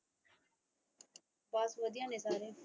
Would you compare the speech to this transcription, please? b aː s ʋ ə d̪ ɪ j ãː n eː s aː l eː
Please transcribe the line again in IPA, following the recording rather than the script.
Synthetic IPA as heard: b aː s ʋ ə d̪ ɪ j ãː n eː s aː ɾ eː